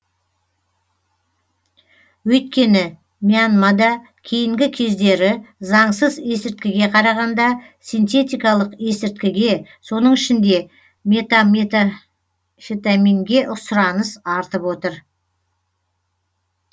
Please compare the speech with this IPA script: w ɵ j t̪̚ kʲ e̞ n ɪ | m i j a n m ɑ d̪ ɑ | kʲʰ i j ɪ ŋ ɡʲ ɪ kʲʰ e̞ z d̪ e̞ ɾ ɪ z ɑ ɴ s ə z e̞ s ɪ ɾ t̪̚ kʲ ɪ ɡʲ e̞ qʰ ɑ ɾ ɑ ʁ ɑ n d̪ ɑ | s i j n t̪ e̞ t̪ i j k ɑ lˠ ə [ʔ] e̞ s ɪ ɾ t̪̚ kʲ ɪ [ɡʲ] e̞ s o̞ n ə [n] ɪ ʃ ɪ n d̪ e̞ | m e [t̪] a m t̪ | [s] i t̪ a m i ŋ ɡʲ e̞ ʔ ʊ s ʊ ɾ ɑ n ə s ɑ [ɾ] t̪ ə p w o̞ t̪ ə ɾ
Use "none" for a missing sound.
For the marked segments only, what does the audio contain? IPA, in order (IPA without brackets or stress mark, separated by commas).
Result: q, ɡʲ, ɴ, t̪, f, ɾ